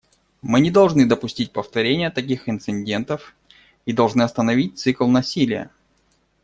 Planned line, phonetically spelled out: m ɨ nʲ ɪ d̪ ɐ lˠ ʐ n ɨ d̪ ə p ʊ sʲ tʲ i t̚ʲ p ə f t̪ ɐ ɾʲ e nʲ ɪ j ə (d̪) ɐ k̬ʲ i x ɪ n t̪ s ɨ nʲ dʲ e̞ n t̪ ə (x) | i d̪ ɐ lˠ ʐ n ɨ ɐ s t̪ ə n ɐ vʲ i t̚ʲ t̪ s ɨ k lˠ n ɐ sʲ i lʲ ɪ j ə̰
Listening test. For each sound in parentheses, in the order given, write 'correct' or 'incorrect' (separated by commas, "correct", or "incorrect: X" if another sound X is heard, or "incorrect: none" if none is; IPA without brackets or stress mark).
incorrect: t̪, incorrect: f